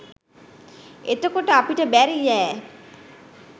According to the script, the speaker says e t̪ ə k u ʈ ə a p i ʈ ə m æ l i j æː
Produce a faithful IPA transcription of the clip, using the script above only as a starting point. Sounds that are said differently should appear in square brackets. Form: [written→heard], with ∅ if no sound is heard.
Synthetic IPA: e t̪ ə k [u→o] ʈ ə a p i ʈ ə [m→b] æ [l→ɾ] i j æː